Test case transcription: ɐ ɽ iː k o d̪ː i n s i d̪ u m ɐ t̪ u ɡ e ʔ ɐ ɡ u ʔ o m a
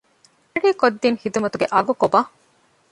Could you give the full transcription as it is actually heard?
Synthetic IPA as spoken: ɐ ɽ iː k o d̪ː i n h i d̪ u m ɐ t̪ u ɡ e ʔ ɐ ɡ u k o b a